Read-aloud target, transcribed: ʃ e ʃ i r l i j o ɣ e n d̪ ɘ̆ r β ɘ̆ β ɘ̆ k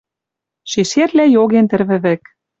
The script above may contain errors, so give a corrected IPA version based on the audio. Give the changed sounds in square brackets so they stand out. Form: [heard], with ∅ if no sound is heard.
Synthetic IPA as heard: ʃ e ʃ [e] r l [æ] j o ɣ e n [t̪] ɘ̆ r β ɘ̆ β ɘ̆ k